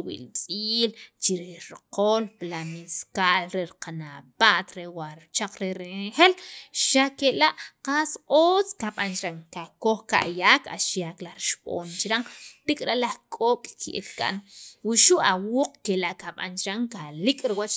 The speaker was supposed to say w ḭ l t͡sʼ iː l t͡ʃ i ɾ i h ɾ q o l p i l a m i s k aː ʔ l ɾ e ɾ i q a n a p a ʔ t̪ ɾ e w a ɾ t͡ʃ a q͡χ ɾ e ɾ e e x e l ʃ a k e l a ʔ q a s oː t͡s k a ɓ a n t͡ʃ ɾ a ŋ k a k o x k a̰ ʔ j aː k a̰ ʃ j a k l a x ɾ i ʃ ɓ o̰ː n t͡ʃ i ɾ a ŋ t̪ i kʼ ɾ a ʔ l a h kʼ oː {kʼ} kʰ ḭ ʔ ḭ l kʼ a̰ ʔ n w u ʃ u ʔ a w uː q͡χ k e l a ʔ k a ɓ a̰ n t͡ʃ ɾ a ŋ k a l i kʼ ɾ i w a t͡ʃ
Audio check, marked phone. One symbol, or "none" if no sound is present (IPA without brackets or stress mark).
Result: kʼ